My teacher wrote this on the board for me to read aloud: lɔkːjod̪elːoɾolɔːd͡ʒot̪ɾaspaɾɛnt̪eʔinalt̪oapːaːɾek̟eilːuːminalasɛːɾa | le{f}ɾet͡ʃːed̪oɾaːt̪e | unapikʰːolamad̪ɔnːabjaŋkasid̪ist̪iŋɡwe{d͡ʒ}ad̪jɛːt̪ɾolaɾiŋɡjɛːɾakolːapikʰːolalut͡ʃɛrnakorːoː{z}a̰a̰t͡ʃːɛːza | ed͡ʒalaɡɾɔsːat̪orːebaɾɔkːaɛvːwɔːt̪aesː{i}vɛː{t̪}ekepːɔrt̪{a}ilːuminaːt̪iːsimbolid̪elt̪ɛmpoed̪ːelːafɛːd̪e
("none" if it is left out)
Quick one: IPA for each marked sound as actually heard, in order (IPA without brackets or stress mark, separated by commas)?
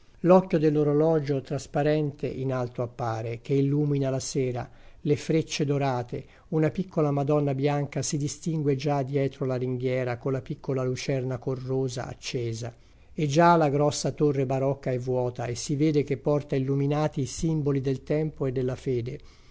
f, d͡ʒ, z, i, d̪, a